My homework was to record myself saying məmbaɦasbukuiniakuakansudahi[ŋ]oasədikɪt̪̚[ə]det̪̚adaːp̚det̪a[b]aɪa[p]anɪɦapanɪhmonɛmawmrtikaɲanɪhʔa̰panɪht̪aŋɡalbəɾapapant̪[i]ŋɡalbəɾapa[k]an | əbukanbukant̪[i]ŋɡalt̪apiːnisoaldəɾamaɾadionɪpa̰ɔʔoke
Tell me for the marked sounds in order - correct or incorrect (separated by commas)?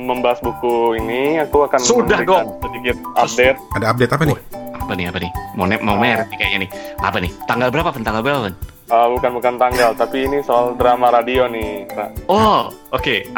incorrect, incorrect, incorrect, correct, incorrect, incorrect, incorrect